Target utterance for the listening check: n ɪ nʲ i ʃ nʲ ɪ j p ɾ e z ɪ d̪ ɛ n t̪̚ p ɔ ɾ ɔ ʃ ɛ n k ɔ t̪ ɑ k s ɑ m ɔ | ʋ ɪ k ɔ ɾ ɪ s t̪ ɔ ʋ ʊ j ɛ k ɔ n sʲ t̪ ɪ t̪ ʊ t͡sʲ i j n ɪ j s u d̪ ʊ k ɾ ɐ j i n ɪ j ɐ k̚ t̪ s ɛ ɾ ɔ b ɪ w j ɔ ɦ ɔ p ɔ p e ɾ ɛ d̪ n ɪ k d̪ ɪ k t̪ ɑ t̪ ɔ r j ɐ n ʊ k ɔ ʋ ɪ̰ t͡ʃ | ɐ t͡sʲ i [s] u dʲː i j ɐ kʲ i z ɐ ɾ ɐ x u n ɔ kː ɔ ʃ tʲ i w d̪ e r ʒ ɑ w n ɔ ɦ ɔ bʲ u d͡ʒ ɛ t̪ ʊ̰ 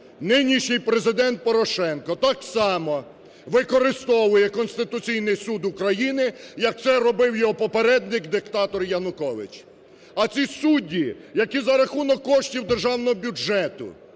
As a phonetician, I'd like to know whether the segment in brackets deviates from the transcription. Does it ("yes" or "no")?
no